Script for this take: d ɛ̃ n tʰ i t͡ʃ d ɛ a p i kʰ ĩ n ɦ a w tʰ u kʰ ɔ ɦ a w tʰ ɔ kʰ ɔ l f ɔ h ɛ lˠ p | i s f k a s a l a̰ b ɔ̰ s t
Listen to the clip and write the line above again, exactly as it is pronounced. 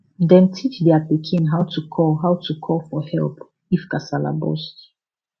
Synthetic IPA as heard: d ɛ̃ n tʰ i t͡ʃ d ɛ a p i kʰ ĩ n ɦ a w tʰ u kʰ ɔ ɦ a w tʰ u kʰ ɔ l f ɔ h ɛ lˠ p | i f k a s a l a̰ b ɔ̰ s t

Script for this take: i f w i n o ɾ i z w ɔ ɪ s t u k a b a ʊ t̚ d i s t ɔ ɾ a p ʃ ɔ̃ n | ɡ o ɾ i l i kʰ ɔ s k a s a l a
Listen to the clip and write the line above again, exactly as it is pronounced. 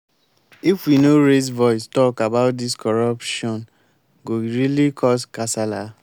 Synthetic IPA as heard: i f w i n o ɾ e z v ɔ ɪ s t ɔ k a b a ʊ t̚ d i s k ɔ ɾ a p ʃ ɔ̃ n | ɡ o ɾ i l i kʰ ɔ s k a s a l a

